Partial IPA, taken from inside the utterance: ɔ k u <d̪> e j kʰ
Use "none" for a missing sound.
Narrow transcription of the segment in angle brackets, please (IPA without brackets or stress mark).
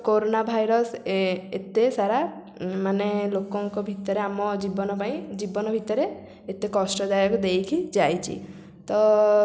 d̪